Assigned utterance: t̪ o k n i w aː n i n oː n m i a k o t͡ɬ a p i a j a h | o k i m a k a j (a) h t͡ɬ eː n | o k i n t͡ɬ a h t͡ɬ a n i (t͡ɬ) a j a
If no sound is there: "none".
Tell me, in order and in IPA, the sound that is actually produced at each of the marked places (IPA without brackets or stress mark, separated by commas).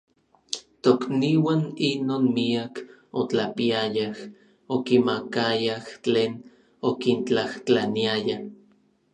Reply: a, none